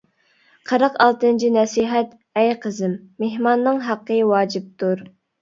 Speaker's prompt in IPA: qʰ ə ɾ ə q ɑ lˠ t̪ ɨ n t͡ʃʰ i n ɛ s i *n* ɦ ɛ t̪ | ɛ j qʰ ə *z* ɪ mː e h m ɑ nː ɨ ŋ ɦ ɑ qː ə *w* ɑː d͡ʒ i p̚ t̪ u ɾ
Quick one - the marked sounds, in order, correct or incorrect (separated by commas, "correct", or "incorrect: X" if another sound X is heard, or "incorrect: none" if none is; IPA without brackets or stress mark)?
incorrect: none, correct, correct